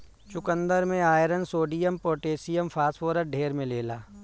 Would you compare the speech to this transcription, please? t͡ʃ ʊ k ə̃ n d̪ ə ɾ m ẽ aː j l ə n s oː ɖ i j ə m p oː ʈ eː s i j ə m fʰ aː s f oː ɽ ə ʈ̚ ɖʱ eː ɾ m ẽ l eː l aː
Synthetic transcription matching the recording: t͡ʃ ʊ k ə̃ n d̪ ə ɾ m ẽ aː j ɾ ə n s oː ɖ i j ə m p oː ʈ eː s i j ə m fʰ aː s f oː ɾ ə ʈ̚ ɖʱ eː ɾ m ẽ l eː l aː

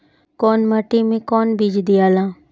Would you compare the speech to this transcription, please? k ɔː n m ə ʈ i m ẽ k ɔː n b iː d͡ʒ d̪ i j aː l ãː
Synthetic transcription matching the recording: k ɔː n m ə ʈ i m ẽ k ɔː n b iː d͡ʒ d̪ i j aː l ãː

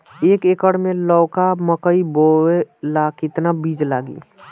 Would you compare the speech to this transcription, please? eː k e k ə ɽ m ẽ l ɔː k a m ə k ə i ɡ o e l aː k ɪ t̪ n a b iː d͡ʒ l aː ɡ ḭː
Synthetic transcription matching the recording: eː k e k ə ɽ m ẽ l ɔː k a m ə k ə i b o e l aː k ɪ t̪ n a b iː d͡ʒ l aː ɡ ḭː

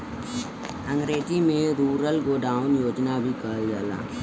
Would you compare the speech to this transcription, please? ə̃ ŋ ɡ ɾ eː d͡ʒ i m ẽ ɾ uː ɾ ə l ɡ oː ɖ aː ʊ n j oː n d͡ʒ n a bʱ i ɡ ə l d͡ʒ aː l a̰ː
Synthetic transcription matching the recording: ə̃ ŋ ɡ ɾ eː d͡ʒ i m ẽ ɾ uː ɾ ə l ɡ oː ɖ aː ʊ n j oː d͡ʒ n a bʱ i k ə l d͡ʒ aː l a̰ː

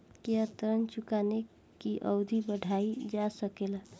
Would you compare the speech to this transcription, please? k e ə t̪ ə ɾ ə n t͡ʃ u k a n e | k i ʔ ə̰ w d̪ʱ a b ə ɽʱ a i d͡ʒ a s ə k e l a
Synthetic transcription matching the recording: k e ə t̪ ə ɾ ə n t͡ʃ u k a n e | k i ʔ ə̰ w d̪ʱ i b ə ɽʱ a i d͡ʒ a s ə k e l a

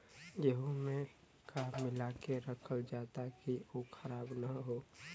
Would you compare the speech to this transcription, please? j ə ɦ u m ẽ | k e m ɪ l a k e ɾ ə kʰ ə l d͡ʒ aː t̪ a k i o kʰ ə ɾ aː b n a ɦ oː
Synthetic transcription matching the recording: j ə ɦ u m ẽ | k a m ɪ l a k e ɾ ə kʰ ə l d͡ʒ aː t̪ a k i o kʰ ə ɾ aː b n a ɦ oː

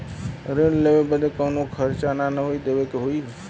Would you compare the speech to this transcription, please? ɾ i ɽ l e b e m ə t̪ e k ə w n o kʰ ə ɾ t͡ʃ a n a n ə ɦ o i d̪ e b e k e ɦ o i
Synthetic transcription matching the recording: ɾ e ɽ l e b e b ə d̪ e k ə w n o kʰ ə ɾ t͡ʃ a n a n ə ɦ o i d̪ e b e k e ɦ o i

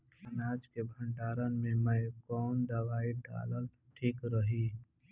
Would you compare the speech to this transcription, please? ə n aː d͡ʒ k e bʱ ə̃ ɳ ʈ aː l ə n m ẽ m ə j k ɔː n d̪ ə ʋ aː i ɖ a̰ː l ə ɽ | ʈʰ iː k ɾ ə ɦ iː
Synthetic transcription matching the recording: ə n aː d͡ʒ k e bʱ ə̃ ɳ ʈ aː ɾ ə n m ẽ m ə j k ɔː n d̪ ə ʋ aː i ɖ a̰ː l ə l | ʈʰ iː k ɾ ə ɦ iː

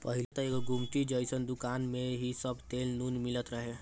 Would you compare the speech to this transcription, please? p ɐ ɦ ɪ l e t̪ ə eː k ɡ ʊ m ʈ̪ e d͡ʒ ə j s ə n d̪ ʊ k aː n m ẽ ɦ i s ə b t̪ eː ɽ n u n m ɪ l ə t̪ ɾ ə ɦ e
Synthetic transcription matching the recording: p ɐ ɦ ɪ l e t̪ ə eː k ɡ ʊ m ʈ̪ i d͡ʒ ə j s ə n d̪ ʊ k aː n m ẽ ɦ i s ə b t̪ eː l n u n m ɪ l ə t̪ ɾ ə ɦ e

